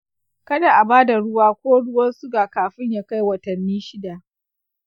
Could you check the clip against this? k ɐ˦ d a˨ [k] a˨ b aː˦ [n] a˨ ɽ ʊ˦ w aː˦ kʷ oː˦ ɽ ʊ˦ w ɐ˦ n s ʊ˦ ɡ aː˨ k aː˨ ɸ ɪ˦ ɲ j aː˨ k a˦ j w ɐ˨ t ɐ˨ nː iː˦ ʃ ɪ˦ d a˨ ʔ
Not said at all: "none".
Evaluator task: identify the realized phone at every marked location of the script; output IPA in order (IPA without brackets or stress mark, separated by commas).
ʔ, d